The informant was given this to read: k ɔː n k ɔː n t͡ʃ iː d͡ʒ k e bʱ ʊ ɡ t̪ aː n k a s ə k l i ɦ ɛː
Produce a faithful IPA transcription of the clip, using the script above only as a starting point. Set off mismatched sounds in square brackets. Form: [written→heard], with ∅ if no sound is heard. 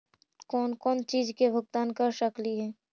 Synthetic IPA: k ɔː n k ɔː n t͡ʃ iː d͡ʒ k e bʱ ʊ ɡ t̪ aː n k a [s→ʃ] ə k l i ɦ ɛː